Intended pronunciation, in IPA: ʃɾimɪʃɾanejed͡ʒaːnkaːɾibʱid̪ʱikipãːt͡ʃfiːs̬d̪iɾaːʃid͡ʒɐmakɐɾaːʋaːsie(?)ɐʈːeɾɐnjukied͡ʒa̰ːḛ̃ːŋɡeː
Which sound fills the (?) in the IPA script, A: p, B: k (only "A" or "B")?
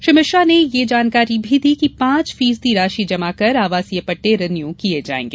A